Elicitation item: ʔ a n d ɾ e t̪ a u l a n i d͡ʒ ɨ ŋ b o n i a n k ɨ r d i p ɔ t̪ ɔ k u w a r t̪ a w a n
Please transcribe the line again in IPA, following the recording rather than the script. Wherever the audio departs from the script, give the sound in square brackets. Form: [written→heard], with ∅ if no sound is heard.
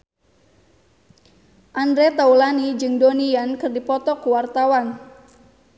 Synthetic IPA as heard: ʔ a n d ɾ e t̪ a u l a n i d͡ʒ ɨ ŋ [b→d] o n i a n k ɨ r d i p ɔ t̪ ɔ k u w a r t̪ a w a n

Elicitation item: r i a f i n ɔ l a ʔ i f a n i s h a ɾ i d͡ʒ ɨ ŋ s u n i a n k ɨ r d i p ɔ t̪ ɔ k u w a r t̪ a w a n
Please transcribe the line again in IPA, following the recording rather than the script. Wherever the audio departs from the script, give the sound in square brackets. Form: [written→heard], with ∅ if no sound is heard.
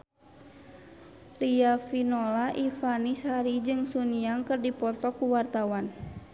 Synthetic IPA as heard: r i a f i n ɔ l a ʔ i f a n i s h a ɾ i d͡ʒ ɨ ŋ s u n i a [n→ŋ] k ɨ r d i p ɔ t̪ ɔ k u w a r t̪ a w a n

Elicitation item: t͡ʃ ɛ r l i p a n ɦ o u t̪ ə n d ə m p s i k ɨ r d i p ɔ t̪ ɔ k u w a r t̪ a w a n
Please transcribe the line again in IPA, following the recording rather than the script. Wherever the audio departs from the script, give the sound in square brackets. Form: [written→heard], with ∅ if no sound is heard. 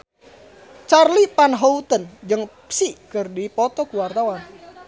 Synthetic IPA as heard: t͡ʃ [ɛ→a] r l i p a n ɦ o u t̪ ə n [d→d͡ʒ] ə [m→ŋ] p s i k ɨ r d i p ɔ t̪ ɔ k u w a r t̪ a w a n

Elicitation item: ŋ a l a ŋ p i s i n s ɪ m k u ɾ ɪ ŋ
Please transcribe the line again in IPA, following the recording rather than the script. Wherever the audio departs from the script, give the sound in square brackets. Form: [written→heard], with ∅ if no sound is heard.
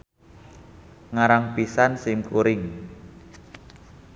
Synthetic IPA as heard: ŋ a [l→ɾ] a ŋ p i s [i→a] n s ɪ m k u ɾ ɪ ŋ

